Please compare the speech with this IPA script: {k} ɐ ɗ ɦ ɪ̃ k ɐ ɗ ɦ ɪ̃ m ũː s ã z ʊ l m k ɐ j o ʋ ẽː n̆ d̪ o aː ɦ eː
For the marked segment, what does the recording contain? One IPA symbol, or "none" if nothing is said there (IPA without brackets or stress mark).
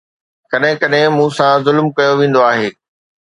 k